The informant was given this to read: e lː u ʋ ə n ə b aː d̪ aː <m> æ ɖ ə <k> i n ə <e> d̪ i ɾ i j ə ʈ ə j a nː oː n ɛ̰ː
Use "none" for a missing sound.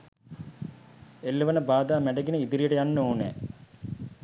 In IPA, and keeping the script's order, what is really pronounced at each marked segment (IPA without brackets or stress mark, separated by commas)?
m, ɡ, i